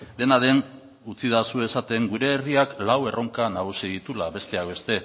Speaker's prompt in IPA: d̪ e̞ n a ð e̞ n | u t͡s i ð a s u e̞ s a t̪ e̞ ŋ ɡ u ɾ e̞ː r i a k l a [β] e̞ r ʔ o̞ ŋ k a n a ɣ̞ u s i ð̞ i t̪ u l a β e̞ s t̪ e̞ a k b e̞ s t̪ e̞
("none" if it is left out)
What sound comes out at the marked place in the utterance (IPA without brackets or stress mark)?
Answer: w